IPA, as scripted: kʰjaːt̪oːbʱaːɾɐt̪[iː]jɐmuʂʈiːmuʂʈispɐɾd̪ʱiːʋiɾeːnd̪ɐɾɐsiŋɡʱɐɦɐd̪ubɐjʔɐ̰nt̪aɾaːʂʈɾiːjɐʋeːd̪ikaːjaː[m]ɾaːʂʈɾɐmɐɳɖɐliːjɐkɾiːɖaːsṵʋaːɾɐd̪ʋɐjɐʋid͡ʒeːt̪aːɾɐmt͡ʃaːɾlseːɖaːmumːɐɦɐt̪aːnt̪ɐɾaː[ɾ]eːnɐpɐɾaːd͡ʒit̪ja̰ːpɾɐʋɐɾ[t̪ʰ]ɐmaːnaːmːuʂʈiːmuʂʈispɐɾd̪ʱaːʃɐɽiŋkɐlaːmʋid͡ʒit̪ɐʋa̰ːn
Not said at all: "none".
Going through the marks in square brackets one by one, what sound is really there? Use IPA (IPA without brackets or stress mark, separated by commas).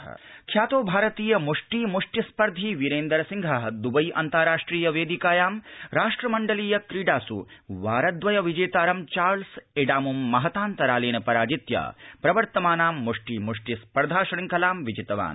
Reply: iː, m, l, t̪